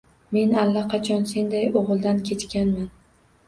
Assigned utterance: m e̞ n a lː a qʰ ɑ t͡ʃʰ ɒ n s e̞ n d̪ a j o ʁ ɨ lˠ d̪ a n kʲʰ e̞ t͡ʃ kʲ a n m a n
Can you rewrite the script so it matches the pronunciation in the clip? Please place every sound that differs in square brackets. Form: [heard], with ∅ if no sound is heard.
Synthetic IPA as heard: m e̞ n a lː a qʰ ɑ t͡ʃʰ ɒ n s e̞ n d̪ a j o ʁ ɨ lˠ d̪ a n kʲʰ e̞ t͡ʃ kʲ a n m a n